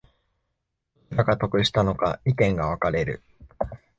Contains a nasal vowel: yes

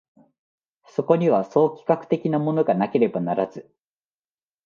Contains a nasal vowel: no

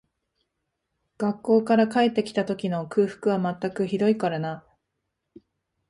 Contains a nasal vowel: no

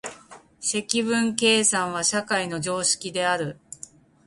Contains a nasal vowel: yes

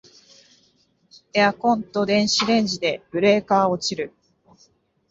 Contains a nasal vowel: yes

